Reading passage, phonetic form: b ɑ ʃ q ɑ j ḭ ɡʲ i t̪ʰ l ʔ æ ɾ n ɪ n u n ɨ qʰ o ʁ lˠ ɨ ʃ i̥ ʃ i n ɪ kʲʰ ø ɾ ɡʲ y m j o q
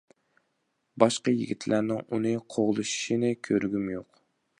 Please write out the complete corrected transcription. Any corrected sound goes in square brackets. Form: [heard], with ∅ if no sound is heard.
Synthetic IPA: b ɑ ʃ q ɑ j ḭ ɡʲ i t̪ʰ l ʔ æ ɾ n ɪ [ŋ] u n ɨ qʰ o ʁ lˠ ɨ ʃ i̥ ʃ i n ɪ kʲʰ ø ɾ ɡʲ y m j o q